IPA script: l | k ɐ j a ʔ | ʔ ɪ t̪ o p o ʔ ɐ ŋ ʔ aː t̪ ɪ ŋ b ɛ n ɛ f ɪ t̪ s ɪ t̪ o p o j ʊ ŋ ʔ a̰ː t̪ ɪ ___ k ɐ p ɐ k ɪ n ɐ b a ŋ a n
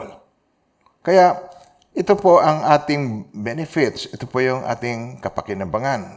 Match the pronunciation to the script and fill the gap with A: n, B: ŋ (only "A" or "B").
B